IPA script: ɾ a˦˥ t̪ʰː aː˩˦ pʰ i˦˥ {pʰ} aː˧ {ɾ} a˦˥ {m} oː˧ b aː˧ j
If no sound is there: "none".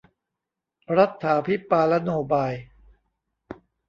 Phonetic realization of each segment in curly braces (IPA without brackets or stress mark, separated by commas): p, l, n